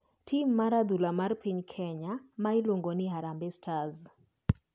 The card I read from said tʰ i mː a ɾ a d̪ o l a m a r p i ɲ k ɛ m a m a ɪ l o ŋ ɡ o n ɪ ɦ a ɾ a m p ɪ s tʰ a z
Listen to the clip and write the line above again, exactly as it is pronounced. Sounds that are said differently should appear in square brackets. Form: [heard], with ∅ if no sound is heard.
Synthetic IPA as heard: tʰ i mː a ɾ a d̪ [u] l a m a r p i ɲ [kʰ] ɛ [ɲ] a m a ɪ l o ŋ ɡ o n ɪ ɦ a ɾ a m [b] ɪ s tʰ a z